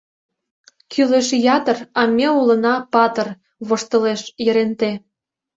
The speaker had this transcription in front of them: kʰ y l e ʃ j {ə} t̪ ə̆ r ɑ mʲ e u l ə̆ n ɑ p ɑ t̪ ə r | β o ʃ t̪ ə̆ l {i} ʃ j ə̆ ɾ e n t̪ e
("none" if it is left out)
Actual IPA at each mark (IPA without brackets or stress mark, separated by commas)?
ɑ, e